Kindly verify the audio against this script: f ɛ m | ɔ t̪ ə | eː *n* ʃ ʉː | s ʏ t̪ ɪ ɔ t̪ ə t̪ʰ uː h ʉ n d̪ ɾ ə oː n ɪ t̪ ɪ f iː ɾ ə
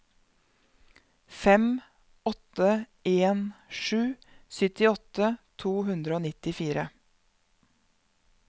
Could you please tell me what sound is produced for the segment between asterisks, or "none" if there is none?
n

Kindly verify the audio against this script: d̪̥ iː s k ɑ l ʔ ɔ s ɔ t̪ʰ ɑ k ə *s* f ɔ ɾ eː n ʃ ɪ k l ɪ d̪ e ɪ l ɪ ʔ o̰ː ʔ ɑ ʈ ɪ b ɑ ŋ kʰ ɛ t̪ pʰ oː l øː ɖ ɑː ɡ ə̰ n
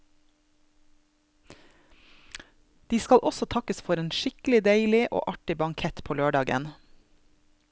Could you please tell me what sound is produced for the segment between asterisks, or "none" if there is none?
s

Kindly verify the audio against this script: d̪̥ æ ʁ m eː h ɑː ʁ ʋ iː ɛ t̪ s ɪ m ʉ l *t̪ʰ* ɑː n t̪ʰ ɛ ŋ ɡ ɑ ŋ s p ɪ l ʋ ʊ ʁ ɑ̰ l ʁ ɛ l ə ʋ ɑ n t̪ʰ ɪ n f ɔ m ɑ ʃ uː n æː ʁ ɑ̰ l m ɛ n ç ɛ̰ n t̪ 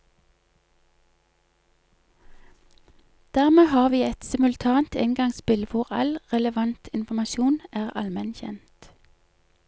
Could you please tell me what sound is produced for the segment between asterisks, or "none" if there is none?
t̪ʰ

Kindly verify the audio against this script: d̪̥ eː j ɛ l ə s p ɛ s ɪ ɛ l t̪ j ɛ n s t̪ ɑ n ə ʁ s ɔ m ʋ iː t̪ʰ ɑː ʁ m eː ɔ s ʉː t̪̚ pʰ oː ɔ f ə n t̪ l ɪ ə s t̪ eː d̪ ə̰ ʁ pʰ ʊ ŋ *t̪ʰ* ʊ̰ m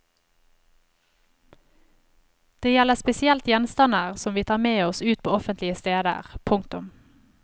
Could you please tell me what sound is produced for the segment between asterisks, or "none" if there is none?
t̪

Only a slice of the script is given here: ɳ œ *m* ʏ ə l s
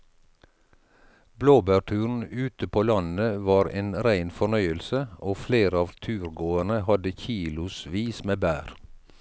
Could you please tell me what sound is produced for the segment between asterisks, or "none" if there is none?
none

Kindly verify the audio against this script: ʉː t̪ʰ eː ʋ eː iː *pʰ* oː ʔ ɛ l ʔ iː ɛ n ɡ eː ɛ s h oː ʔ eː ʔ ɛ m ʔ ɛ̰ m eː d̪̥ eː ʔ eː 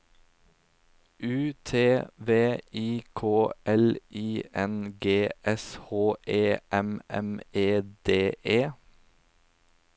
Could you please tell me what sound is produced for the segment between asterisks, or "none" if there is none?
kʰ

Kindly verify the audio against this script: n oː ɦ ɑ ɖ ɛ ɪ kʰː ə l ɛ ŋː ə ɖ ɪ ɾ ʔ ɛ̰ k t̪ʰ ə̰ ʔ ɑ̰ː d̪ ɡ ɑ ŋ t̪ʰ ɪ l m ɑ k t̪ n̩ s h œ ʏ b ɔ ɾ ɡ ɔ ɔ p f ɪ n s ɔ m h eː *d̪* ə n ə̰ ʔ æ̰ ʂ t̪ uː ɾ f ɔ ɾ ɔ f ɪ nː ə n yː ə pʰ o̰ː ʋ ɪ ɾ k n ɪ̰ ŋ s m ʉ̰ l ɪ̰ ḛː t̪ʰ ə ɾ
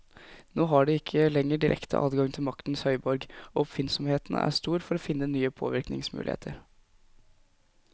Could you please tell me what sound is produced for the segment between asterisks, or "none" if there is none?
t̪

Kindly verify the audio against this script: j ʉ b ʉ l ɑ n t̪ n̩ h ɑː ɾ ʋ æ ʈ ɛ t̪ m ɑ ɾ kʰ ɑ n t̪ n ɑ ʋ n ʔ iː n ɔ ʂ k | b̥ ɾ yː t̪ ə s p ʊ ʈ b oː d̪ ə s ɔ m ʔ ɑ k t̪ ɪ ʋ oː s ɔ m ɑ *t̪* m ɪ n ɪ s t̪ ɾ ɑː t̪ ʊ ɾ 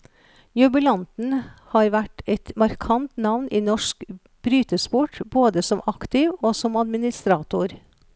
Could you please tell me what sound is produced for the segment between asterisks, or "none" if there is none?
d̪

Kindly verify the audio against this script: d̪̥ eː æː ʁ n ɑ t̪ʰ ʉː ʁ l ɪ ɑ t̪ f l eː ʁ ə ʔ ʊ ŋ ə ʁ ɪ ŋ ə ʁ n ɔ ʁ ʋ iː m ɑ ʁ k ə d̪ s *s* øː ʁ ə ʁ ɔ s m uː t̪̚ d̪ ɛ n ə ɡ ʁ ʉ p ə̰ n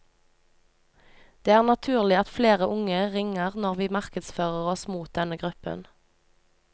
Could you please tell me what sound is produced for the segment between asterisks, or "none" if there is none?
f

